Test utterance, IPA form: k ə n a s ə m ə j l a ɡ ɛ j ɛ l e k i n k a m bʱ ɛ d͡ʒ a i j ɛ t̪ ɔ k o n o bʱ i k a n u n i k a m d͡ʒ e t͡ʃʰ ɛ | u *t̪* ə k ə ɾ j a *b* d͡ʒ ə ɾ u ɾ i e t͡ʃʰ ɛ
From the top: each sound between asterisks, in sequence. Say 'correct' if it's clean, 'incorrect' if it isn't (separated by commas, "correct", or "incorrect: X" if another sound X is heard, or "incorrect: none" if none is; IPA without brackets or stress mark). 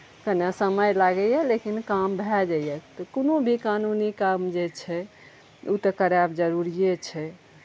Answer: correct, correct